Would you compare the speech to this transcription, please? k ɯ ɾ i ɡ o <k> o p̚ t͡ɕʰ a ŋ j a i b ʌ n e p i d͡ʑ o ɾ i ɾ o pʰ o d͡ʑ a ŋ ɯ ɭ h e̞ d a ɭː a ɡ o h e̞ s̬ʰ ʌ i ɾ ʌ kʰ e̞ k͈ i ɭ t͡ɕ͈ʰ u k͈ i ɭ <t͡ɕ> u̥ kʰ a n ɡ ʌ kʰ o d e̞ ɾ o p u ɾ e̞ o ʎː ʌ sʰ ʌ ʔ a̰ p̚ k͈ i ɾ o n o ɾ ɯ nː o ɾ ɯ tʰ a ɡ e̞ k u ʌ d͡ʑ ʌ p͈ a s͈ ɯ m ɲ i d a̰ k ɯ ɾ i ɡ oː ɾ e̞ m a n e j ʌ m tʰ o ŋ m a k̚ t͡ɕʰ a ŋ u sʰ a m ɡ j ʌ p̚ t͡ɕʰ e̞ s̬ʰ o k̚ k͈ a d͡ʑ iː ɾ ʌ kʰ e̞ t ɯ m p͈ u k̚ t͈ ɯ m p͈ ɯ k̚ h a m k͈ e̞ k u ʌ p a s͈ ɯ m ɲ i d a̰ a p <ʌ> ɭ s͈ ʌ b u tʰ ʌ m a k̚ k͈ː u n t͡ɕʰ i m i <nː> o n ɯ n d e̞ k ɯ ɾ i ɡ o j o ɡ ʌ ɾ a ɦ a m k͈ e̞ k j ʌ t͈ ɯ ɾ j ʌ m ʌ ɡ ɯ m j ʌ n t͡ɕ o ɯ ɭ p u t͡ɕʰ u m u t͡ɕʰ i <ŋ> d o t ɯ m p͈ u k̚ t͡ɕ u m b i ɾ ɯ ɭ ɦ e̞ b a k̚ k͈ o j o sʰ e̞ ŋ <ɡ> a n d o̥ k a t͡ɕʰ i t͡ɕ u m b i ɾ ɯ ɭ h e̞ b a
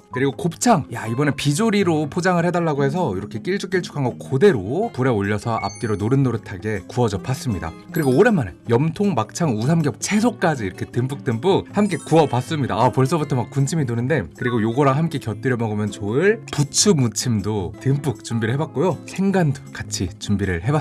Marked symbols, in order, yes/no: yes, no, yes, no, no, yes

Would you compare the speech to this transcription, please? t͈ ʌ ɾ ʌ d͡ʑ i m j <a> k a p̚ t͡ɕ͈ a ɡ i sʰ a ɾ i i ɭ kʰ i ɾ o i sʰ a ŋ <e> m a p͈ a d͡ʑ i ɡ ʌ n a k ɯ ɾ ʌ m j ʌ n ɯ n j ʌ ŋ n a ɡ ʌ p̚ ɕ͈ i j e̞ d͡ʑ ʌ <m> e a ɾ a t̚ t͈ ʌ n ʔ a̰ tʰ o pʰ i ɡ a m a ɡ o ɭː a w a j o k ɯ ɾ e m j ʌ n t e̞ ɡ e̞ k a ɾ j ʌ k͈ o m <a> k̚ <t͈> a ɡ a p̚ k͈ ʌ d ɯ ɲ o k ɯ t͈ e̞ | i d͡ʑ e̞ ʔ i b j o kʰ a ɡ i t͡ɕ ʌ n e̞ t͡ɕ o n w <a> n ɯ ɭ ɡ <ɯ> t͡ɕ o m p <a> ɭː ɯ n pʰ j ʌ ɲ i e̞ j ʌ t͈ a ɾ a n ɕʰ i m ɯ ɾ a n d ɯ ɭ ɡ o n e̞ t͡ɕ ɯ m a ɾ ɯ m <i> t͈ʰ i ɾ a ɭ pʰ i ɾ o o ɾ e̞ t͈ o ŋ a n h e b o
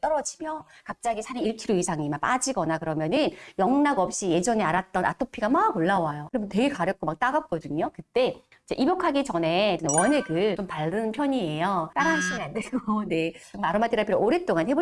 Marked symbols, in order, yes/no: no, no, no, yes, yes, no, yes, yes, no

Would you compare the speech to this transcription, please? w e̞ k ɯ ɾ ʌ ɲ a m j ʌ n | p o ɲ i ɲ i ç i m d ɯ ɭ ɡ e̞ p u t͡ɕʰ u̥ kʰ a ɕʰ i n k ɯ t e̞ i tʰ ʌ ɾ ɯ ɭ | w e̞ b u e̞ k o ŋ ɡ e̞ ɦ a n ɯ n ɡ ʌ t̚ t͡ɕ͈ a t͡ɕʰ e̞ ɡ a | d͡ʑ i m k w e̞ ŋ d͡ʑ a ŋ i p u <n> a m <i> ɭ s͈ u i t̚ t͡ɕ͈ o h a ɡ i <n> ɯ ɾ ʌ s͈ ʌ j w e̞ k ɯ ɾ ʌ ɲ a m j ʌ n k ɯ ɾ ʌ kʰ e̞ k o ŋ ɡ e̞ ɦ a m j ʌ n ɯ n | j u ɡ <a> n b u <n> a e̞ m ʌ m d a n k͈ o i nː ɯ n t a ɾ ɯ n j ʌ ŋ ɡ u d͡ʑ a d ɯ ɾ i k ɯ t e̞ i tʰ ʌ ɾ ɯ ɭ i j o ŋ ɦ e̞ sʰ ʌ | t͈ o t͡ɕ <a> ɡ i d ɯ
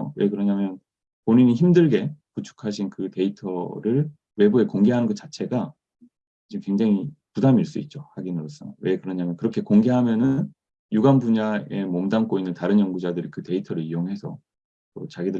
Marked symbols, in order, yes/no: no, yes, yes, yes, no, yes

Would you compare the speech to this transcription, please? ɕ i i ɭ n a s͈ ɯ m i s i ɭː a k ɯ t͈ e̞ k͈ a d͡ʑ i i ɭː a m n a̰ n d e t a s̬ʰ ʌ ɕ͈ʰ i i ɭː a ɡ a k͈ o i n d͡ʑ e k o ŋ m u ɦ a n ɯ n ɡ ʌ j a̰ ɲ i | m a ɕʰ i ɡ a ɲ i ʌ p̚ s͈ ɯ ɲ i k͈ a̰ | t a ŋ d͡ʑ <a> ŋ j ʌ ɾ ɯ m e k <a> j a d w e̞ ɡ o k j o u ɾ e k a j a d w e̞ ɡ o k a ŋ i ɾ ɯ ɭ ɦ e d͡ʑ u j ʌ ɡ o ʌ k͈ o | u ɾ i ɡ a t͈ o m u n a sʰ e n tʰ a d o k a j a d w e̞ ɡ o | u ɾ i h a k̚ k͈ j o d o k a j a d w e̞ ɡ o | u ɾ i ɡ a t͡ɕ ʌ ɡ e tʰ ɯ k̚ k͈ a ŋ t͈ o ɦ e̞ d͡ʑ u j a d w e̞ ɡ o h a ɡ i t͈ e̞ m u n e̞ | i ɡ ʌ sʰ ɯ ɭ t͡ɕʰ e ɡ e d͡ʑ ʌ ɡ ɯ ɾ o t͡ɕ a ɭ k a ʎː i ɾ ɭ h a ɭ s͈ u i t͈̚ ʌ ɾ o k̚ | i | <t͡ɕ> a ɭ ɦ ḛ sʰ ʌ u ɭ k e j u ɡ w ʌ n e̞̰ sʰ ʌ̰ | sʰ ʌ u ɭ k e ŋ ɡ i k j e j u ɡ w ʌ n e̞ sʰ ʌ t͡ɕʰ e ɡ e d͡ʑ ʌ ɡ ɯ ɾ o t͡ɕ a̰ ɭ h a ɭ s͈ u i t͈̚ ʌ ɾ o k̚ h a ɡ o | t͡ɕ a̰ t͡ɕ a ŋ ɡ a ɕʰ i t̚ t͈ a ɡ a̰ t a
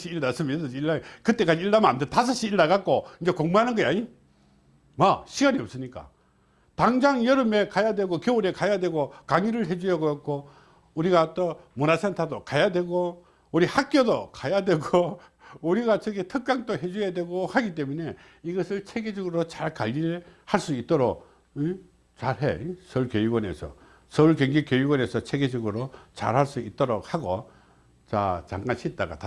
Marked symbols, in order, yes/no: yes, yes, yes

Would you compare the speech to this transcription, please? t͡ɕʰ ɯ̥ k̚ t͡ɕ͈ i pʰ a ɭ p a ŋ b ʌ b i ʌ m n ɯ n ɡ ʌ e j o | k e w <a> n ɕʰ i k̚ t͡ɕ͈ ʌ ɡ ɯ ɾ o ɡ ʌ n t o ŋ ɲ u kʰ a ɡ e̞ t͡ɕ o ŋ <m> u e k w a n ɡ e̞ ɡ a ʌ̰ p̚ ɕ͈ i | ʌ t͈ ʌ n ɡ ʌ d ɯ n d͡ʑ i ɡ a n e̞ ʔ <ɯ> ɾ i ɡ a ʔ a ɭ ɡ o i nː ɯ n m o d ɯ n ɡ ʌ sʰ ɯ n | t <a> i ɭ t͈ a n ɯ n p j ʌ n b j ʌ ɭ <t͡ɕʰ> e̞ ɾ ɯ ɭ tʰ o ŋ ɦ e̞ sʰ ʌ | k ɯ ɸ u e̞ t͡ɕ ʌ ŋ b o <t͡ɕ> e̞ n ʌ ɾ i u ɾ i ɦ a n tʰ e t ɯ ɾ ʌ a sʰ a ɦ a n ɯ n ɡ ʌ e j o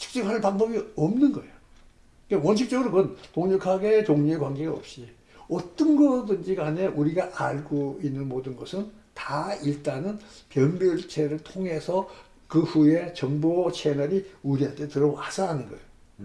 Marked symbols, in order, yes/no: no, no, no, yes, yes, no

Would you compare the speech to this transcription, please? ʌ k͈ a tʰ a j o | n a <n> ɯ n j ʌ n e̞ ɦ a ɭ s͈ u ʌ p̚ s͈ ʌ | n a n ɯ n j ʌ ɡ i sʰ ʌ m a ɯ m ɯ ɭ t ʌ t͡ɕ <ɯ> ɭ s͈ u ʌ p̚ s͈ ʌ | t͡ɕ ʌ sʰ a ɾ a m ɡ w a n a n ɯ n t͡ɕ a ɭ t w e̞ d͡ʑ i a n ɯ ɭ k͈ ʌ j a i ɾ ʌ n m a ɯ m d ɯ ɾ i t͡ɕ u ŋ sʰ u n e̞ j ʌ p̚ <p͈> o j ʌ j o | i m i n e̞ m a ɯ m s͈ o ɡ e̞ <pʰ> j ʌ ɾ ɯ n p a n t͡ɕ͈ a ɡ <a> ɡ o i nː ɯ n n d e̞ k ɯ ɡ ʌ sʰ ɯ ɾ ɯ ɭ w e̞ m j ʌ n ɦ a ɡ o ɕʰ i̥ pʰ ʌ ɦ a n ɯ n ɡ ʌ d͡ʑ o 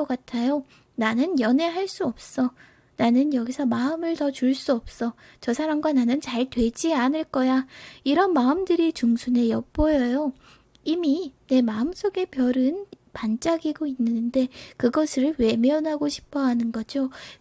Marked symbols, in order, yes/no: yes, no, yes, no, no

